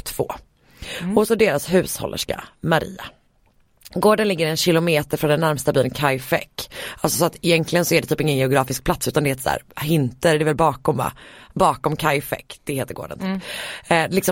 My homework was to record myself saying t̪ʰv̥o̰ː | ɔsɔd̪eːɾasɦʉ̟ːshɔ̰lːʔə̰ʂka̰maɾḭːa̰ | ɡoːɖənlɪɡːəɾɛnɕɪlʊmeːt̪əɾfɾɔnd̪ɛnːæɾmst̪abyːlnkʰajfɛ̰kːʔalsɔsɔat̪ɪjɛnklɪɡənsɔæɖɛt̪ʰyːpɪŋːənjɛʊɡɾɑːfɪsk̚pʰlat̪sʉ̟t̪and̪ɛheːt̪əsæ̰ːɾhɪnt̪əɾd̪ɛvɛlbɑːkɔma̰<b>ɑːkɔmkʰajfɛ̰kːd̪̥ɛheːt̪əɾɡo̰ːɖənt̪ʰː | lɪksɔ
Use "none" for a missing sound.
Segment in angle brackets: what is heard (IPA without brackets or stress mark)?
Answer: b